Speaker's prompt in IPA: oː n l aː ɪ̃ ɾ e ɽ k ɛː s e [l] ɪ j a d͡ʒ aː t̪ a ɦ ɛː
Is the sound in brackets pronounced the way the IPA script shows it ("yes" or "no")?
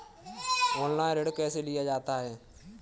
yes